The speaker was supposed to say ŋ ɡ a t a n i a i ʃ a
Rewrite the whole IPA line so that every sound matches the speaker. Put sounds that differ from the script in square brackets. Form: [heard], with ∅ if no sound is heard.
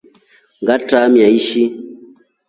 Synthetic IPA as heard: ŋ ɡ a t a [m] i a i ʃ [i]